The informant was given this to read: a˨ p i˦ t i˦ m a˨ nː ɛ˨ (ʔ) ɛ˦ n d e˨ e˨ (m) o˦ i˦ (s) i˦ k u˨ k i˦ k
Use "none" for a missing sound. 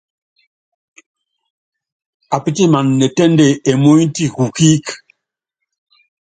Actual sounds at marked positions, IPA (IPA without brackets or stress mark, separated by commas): t, m, t